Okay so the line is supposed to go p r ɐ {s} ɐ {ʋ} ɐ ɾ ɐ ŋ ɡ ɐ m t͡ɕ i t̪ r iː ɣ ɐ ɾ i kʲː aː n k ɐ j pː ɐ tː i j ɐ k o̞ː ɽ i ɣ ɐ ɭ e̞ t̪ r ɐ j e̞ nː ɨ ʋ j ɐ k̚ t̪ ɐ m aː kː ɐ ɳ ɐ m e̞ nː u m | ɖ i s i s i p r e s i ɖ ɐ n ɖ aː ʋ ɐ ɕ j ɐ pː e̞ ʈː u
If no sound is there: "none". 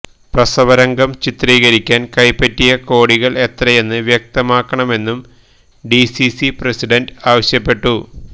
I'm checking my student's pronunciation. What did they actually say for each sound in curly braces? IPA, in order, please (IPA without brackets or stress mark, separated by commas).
s, ʋ